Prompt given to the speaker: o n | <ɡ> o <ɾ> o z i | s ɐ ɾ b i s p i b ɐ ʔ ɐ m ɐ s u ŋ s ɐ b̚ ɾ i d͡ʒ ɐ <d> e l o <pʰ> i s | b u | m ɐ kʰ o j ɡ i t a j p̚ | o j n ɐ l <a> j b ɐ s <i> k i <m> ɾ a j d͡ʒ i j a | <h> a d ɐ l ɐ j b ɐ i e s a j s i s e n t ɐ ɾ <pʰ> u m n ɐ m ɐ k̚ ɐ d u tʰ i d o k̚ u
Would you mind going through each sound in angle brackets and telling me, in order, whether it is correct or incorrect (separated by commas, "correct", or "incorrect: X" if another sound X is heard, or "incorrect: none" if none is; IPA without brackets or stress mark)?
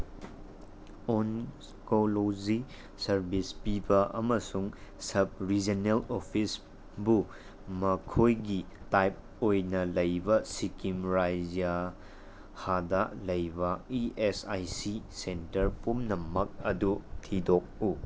incorrect: k, incorrect: l, incorrect: n, correct, incorrect: ɐ, correct, correct, correct, incorrect: p